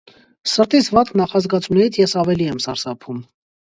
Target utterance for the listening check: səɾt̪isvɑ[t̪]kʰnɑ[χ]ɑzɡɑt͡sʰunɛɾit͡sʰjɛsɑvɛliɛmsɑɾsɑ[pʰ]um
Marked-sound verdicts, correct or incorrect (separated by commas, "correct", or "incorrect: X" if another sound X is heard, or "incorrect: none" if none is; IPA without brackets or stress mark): correct, correct, correct